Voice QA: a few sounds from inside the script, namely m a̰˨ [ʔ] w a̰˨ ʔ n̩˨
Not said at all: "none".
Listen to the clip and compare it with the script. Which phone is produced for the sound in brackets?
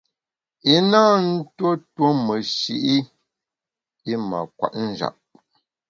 k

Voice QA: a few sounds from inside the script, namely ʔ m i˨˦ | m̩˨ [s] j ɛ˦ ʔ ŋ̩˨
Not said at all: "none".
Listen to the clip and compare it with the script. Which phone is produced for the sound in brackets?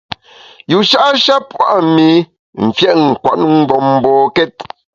f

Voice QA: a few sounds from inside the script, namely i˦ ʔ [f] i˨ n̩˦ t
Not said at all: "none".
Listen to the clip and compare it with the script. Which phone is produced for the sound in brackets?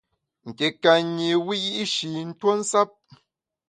ʃ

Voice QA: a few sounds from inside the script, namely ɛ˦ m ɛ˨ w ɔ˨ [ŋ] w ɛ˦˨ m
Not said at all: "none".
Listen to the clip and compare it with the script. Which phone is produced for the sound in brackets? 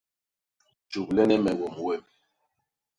m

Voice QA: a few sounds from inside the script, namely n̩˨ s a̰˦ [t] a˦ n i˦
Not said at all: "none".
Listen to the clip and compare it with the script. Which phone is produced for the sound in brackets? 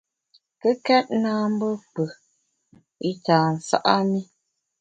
ʔ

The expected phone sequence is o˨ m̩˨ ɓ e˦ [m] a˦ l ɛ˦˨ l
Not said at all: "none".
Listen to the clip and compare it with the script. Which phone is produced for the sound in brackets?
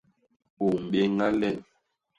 ŋ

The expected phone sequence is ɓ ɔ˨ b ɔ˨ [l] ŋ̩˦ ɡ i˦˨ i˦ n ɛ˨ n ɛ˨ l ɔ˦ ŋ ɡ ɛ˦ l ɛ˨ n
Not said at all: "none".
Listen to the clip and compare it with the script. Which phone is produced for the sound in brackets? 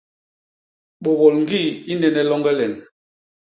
l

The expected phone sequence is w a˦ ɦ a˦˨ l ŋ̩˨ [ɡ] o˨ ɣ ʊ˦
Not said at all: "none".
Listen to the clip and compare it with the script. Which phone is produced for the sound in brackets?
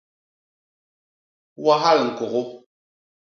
k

